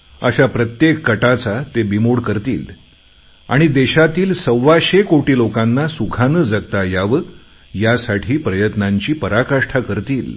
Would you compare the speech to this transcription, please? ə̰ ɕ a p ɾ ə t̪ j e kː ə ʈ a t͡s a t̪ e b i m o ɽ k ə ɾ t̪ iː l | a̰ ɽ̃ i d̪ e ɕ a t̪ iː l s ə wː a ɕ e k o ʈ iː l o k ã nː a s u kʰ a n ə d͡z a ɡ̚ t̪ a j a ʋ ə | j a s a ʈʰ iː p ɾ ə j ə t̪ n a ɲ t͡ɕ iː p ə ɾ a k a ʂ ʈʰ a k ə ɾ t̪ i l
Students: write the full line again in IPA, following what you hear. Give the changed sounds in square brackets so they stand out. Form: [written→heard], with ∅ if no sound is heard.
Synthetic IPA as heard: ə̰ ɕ a p ɾ ə t̪ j e kː ə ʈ a t͡s a t̪ e b i m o ɽ k ə ɾ t̪ iː l | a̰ ɽ̃ i d̪ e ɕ a t̪ iː l s ə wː a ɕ e k o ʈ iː l o k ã nː a s u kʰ a n ə d͡z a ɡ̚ t̪ a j a ʋ ə | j a s a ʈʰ iː p ɾ ə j ə t̪ n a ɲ t͡ɕ iː p ə ɾ a k a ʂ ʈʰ a k ə ɾ t̪ [i→iː] l